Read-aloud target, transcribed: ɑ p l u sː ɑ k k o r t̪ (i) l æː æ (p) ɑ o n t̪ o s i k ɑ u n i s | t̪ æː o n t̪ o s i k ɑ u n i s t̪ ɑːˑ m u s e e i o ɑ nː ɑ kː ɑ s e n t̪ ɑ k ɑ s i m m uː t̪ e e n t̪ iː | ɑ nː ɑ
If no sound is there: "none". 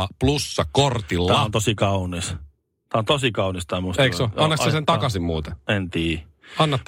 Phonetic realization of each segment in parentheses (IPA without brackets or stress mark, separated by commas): i, none